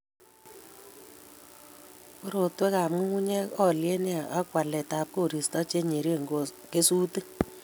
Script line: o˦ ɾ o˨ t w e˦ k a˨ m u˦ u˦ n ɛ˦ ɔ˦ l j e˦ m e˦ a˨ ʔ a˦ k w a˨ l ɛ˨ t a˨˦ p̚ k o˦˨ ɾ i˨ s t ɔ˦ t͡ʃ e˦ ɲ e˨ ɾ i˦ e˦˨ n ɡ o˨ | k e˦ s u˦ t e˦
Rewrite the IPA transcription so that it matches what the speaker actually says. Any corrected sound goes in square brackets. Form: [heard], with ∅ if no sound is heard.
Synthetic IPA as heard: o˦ ɾ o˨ t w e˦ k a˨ m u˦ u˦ [ɲ] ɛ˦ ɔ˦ l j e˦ [n] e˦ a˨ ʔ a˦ k w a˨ l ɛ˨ t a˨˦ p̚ k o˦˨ ɾ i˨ s t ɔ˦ t͡ʃ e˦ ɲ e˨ ɾ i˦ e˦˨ [ŋ] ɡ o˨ | k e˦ s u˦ t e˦